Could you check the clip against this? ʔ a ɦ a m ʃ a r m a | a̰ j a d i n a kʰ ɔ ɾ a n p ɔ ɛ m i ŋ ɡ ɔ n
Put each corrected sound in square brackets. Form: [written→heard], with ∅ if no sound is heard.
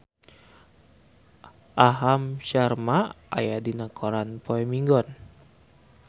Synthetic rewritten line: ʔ a ɦ a m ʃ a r m a | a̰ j a d i n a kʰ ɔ ɾ a n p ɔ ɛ m i ŋ ɡ ɔ n